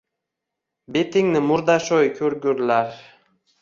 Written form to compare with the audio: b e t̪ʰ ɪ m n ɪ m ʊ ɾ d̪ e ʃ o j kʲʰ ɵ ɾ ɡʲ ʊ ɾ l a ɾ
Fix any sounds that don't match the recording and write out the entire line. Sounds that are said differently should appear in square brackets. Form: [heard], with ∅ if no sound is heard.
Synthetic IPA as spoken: b e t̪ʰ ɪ [ŋ] n ɪ m ʊ ɾ d̪ [a] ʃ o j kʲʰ ɵ ɾ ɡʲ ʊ ɾ l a ɾ